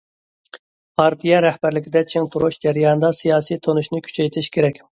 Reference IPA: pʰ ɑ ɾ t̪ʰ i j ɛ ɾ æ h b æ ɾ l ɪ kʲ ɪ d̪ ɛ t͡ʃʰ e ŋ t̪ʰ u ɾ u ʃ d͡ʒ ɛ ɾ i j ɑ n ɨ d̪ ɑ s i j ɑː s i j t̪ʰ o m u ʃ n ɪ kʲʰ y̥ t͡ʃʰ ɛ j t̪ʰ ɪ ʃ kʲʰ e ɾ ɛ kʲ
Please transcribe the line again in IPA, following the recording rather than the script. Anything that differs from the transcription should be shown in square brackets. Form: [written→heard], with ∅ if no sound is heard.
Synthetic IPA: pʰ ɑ ɾ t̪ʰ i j ɛ ɾ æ h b æ ɾ l ɪ kʲ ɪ d̪ ɛ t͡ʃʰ e ŋ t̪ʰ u ɾ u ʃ d͡ʒ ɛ ɾ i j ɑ n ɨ d̪ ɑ s i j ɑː s i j t̪ʰ o [m→n] u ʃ n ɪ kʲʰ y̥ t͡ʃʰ ɛ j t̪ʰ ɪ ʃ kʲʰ e ɾ ɛ kʲ